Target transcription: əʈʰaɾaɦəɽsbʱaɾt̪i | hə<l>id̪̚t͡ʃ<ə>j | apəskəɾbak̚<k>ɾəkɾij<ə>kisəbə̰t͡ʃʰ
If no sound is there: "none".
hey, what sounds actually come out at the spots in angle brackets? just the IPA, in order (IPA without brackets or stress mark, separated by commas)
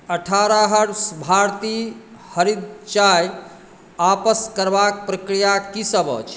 ɾ, a, p, a